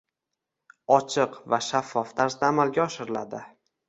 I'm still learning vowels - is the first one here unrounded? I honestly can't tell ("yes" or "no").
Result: no